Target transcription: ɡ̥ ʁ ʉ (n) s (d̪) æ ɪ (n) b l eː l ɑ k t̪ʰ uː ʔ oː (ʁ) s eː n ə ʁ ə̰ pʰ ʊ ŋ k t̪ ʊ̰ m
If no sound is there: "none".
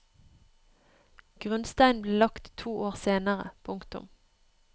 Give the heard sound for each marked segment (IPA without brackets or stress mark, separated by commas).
n, t̪, n, ʁ